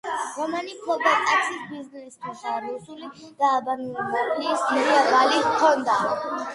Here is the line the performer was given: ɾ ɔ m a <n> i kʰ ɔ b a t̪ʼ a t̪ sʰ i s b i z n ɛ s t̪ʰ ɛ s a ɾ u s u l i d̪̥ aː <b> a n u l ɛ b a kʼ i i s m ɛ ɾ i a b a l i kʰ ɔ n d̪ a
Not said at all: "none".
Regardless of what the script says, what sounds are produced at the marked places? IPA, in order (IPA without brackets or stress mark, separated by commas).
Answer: n, b